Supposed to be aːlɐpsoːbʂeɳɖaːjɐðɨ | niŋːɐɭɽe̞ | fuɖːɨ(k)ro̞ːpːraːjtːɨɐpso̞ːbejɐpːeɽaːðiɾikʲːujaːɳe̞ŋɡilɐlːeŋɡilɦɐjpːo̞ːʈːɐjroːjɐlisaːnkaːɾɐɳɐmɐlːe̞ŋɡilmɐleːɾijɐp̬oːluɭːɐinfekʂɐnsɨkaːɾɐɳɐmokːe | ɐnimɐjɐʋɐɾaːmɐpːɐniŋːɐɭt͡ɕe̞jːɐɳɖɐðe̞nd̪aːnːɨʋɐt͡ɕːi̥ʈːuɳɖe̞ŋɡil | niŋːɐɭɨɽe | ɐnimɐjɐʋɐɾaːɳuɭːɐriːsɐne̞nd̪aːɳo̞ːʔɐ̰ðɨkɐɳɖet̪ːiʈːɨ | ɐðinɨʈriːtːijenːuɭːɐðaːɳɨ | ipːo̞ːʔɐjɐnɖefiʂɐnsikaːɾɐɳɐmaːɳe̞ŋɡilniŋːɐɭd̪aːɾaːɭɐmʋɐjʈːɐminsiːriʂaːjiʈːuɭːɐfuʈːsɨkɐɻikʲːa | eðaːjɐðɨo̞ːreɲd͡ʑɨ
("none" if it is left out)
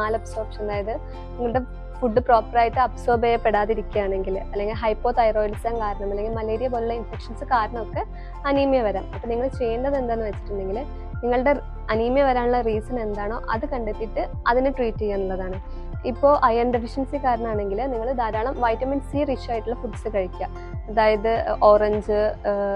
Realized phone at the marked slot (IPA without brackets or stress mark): p